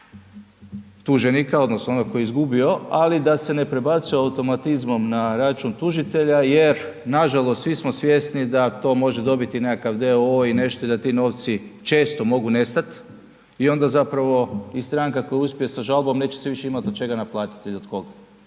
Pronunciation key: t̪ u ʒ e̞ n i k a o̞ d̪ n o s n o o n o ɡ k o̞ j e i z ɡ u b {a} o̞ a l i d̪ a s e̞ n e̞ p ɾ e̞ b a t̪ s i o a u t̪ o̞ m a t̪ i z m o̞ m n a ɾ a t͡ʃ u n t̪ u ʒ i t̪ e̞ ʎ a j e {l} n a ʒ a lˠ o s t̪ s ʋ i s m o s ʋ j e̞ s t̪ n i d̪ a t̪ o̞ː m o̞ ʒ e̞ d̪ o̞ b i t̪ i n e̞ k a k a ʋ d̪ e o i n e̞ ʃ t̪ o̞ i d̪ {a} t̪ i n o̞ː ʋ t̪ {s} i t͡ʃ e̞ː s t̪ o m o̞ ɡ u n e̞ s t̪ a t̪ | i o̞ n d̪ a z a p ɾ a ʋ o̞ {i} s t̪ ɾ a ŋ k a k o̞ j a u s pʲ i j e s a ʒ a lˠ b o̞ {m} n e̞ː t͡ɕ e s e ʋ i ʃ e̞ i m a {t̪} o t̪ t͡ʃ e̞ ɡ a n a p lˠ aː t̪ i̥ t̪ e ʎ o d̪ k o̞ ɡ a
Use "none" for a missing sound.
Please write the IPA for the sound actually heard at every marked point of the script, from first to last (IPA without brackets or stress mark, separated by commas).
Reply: i, ɾ, a, s, i, m, t̪